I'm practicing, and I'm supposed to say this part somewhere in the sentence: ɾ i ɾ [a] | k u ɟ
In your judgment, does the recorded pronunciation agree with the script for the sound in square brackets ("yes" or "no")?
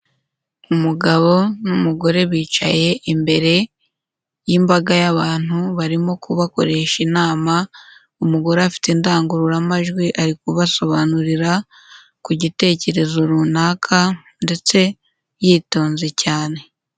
yes